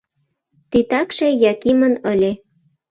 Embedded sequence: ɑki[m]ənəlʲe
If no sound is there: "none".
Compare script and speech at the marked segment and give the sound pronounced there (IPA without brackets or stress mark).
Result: m